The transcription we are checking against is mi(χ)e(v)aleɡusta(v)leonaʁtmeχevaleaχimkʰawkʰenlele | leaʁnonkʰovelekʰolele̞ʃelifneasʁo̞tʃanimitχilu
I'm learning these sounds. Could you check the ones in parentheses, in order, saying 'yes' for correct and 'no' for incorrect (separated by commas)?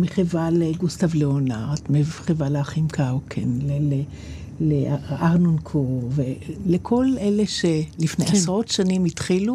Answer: yes, yes, yes